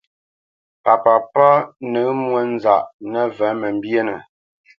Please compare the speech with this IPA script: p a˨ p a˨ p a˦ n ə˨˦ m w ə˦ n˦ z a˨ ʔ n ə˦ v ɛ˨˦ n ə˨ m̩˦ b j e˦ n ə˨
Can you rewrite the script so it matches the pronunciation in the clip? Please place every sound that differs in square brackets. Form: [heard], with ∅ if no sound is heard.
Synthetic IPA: p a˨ p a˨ p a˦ n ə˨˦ m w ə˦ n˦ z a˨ ʔ n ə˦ v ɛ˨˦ [m] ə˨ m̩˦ b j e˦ n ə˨